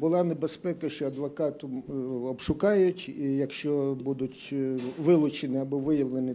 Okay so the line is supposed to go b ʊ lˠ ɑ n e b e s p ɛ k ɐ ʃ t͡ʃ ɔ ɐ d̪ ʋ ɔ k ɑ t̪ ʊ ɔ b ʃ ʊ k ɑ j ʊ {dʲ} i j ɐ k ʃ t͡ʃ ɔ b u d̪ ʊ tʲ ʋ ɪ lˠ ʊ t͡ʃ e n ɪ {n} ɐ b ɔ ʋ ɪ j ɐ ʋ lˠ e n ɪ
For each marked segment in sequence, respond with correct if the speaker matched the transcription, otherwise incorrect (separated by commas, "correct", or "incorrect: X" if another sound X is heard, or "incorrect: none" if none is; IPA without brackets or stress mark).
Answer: incorrect: tʲ, incorrect: none